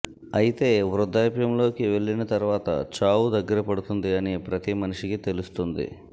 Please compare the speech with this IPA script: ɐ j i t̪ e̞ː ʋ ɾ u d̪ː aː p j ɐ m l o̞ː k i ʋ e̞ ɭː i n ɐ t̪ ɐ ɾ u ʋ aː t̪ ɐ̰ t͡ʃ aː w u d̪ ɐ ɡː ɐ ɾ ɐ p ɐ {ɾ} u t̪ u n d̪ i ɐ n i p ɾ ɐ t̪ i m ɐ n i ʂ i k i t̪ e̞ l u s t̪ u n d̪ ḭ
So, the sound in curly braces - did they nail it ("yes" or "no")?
no